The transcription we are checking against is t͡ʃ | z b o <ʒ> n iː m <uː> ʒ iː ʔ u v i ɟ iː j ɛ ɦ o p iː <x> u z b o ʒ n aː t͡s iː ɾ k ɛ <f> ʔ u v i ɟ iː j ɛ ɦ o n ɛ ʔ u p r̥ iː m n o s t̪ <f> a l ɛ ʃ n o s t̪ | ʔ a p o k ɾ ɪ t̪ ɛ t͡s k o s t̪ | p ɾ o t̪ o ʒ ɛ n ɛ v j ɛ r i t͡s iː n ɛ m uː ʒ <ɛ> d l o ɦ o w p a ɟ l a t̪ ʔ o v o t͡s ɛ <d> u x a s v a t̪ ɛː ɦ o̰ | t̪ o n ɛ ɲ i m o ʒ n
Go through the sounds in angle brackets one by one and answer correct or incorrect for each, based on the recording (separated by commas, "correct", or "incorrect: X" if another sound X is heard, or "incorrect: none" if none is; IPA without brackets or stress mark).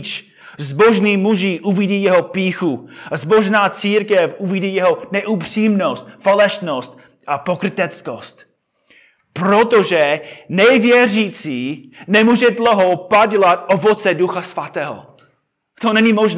correct, incorrect: u, correct, correct, correct, correct, correct